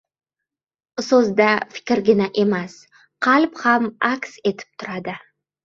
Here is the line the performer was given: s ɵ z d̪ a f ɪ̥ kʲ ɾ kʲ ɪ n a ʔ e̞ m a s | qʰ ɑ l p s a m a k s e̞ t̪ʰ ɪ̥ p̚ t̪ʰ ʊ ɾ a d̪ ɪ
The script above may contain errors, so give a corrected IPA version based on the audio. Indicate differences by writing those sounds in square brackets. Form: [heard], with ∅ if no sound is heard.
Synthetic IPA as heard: s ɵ z d̪ a f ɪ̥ kʲ ɾ [ɡʲ] ɪ n a ʔ e̞ m a s | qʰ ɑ l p [h] a m a k s e̞ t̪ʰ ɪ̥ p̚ t̪ʰ ʊ ɾ a d̪ ɪ